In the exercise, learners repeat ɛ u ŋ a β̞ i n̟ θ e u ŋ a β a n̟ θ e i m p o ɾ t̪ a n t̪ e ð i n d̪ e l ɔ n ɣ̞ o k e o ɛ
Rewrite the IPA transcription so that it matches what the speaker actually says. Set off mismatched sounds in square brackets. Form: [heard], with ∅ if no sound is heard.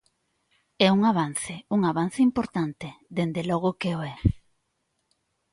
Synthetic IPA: ɛ u ŋ a β̞ [a] n̟ θ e u ŋ a β a n̟ θ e i m p o ɾ t̪ a n t̪ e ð [e] n d̪ e l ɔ [∅] ɣ̞ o k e o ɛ